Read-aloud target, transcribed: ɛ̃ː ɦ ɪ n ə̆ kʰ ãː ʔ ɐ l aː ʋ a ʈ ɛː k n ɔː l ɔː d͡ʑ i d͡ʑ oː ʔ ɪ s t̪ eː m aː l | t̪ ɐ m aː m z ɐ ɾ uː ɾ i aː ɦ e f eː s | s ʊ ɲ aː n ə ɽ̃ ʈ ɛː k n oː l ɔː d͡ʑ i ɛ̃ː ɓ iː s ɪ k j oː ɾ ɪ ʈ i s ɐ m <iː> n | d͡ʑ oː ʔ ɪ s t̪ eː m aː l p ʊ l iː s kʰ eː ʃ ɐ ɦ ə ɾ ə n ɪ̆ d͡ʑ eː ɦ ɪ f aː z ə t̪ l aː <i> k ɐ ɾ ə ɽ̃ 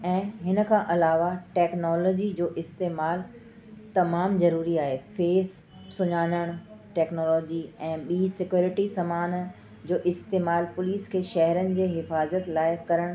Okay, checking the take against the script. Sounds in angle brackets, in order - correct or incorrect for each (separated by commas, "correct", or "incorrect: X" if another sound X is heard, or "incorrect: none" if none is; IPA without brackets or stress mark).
incorrect: aː, incorrect: ɪ